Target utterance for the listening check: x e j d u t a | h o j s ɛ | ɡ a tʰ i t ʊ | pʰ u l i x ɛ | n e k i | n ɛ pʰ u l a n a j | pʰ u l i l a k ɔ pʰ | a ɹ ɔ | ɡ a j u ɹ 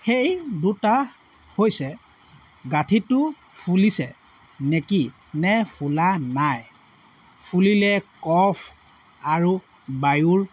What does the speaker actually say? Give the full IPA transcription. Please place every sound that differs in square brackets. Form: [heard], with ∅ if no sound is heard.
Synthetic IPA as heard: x e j d u t a | h o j s ɛ | ɡ a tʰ i t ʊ | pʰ u l i [s] ɛ | n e k i | n ɛ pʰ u l a n a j | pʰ u l i l [ɛ] k ɔ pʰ | a ɹ [u] | [b] a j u ɹ